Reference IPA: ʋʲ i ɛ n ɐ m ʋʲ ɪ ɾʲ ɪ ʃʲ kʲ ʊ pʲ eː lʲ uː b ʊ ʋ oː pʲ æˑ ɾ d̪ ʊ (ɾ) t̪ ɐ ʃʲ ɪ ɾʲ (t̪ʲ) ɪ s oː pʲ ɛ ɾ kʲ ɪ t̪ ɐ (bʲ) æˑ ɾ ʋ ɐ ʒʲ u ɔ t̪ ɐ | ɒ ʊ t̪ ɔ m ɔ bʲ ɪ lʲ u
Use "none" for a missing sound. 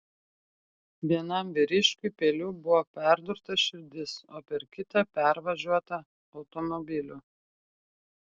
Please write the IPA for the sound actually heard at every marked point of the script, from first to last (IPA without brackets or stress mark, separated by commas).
ɾ, d̪ʲ, pʲ